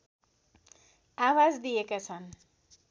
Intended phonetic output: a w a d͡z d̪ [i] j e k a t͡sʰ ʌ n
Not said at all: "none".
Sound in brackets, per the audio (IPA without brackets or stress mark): i